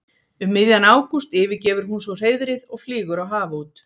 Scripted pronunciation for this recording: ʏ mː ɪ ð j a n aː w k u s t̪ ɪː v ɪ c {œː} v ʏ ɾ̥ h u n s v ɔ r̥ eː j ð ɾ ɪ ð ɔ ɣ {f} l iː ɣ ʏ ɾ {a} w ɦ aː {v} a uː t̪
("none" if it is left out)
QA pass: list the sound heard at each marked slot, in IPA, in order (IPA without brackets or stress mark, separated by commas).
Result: ɛː, f, a, v